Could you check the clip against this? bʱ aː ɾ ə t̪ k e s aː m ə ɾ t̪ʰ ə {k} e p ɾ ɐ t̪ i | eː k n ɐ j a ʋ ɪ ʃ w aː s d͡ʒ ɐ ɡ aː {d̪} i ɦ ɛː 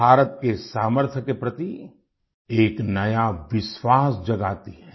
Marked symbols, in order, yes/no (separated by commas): yes, no